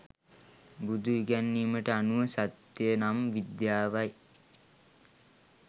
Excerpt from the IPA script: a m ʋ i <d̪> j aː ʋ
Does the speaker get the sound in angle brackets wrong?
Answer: no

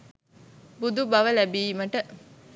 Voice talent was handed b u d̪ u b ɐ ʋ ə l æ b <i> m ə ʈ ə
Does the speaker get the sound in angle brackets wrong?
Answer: yes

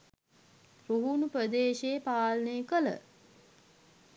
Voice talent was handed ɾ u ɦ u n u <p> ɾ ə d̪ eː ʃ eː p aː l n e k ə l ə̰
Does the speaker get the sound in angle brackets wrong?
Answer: no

